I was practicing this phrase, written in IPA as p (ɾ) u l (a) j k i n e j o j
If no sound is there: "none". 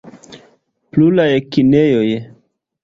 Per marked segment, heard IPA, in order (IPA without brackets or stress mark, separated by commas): l, a